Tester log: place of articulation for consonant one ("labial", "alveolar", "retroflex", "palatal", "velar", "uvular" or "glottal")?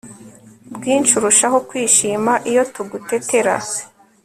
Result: labial